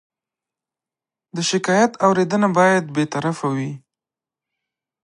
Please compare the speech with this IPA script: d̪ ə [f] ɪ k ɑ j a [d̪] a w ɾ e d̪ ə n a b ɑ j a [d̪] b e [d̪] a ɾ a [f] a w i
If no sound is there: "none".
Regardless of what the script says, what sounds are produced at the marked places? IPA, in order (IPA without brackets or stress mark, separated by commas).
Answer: ʃ, t̪, d̪, t̪, f